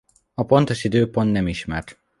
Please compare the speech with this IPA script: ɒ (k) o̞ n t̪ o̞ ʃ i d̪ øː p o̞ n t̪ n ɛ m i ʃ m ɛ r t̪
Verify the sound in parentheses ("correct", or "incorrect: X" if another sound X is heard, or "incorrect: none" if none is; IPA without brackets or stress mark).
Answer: incorrect: p